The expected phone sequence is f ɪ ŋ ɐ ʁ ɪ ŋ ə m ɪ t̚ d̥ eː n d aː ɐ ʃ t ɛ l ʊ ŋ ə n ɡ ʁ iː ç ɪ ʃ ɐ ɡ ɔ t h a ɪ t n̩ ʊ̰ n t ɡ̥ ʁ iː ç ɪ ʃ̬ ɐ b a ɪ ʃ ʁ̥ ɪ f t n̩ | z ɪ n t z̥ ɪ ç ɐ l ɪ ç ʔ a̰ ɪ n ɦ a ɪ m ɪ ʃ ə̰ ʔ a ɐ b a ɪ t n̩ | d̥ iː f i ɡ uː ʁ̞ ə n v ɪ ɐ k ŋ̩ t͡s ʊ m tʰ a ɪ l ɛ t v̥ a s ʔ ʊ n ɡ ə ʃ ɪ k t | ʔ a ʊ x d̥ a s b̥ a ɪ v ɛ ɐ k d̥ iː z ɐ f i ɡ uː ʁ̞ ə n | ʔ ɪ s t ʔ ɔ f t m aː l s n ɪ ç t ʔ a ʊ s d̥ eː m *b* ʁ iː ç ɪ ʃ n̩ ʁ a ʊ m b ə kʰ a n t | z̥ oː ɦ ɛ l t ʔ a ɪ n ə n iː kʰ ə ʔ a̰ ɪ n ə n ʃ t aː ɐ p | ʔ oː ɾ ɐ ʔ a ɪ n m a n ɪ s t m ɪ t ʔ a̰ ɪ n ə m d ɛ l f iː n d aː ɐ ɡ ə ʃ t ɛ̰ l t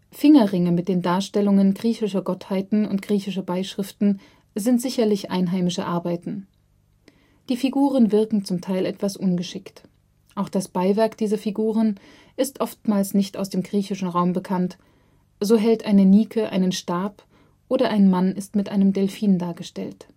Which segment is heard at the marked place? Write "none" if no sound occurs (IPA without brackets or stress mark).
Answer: ɡ